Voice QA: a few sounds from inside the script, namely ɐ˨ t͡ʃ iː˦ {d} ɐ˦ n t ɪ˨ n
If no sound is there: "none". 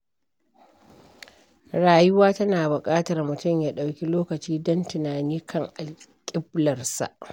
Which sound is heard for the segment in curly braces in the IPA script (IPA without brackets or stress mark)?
d